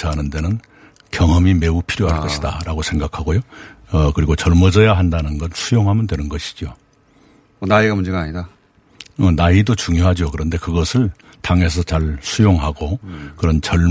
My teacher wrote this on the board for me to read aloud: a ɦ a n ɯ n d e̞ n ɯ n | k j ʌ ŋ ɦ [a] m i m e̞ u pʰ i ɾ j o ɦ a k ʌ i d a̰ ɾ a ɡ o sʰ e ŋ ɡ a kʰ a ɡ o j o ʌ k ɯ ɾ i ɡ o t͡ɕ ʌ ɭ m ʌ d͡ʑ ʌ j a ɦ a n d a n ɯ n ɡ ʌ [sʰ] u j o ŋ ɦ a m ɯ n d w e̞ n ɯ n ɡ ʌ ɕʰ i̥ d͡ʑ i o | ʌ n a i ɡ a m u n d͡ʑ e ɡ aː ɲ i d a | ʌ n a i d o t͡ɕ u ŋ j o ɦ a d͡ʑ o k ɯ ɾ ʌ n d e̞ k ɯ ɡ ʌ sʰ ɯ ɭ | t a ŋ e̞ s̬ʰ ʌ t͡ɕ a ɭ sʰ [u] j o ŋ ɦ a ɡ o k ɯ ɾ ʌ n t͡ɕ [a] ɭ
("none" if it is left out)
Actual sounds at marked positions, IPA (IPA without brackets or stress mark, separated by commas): ʌ, sʰ, u, ʌ